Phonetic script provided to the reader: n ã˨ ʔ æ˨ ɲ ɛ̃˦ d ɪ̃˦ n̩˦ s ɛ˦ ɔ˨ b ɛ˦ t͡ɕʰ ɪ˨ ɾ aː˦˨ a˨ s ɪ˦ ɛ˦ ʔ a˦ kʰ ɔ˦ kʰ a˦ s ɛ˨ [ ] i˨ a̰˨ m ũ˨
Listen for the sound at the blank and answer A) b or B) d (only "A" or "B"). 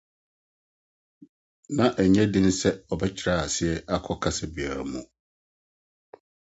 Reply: A